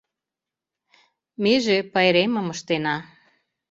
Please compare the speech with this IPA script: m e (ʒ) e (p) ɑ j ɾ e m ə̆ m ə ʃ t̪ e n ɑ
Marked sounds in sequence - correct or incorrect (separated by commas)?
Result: correct, correct